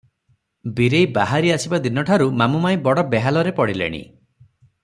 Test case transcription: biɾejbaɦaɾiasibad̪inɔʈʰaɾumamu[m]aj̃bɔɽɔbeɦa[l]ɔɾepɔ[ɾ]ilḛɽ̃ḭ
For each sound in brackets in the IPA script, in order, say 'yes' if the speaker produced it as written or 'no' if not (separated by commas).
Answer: yes, yes, no